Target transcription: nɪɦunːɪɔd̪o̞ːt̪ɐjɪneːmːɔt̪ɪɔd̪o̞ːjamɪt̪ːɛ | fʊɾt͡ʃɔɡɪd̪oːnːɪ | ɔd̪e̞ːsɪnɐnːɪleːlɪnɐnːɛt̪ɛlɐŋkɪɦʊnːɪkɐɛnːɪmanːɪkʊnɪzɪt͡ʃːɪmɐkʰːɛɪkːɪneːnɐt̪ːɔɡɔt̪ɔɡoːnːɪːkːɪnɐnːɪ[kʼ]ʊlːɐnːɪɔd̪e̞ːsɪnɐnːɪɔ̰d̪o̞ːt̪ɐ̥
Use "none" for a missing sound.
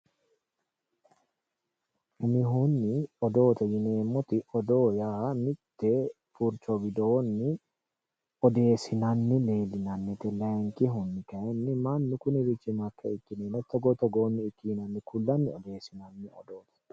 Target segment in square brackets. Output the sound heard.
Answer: k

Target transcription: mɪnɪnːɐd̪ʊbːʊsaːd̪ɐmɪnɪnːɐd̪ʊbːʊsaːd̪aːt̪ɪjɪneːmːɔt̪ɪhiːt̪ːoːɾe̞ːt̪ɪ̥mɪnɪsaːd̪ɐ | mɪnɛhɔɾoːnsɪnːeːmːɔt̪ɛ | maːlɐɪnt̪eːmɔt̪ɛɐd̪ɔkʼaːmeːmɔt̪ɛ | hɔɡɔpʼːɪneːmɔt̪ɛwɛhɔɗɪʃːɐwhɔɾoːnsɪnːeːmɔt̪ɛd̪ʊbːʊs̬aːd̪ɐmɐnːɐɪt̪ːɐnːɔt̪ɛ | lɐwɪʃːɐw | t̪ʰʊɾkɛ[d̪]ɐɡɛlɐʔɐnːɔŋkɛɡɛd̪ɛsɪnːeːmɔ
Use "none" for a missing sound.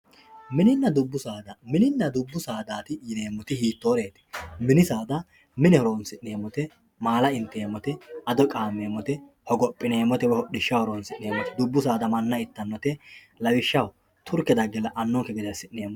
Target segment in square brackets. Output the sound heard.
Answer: d̪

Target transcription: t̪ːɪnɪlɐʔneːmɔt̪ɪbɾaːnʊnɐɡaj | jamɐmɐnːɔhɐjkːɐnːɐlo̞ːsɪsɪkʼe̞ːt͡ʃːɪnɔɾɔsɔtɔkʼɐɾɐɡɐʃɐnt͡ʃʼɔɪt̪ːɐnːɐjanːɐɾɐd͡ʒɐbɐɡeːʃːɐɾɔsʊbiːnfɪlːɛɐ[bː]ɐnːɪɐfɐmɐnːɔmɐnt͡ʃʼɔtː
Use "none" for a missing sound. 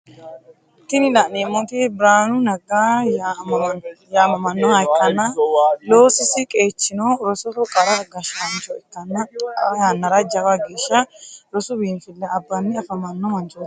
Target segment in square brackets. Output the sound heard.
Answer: bː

